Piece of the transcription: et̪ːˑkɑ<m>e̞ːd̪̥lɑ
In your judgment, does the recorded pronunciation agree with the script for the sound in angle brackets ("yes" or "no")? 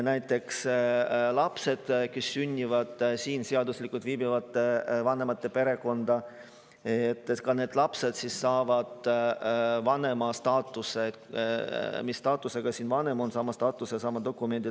no